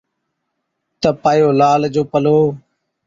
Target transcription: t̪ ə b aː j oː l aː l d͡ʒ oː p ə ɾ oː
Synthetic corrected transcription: t̪ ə p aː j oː l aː l d͡ʒ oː p ə l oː